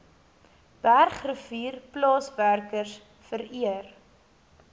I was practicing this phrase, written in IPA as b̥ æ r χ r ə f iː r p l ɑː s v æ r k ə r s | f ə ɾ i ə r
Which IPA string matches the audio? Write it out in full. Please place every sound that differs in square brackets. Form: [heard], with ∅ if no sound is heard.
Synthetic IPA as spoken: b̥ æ r χ r ə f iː r p l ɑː s v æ r k ə r s | f ə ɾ i ə r